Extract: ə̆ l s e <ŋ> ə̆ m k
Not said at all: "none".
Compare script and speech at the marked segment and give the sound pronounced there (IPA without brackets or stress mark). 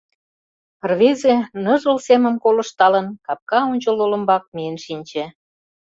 m